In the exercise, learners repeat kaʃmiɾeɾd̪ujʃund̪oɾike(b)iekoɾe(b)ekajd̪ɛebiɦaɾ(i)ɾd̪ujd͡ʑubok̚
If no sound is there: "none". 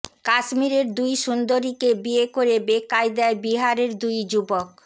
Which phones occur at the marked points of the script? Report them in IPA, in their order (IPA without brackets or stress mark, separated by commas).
b, b, e